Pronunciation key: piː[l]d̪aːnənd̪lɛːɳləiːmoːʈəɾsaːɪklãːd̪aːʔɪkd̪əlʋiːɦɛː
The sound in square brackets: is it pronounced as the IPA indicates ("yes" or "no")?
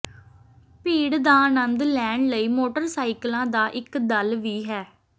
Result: no